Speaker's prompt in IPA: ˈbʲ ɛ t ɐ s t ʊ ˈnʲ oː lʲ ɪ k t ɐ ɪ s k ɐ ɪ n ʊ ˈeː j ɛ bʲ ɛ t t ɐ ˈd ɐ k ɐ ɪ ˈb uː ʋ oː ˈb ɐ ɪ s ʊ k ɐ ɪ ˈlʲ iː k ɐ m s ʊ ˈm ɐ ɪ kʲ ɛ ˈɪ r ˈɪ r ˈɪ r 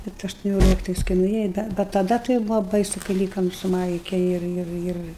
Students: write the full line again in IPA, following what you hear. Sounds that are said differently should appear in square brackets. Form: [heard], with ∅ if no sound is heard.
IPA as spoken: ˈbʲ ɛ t ɐ [ʃ] t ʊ ˈnʲ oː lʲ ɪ k t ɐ ɪ s k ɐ ɪ n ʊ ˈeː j ɛ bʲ ɛ t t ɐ ˈd ɐ [t] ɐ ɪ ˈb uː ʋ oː ˈb ɐ ɪ s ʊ k ɐ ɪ ˈlʲ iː k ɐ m s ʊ ˈm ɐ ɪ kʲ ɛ ˈɪ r ˈɪ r ˈɪ r